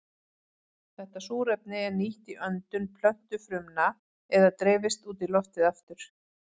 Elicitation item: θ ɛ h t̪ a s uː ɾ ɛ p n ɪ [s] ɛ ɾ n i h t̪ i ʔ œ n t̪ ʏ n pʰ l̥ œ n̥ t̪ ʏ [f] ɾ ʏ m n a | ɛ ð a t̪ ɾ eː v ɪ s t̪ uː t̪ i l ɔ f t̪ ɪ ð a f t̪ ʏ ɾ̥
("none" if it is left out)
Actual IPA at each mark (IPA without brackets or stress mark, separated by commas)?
none, f